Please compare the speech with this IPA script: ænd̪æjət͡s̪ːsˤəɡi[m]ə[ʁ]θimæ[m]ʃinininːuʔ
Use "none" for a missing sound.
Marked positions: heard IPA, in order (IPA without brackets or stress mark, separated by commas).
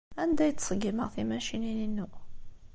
m, ʁ, none